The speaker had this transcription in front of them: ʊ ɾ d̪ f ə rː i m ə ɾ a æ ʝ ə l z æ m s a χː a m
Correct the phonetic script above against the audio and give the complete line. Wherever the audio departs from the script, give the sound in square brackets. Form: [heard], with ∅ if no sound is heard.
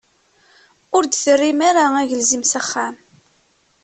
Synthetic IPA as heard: ʊ ɾ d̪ [θ] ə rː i m [a] ɾ a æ ʝ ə l z [i] m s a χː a m